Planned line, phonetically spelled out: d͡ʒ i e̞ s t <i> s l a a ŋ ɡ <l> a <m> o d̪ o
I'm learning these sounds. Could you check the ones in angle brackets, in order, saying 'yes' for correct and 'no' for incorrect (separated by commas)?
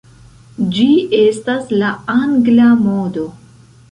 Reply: no, yes, yes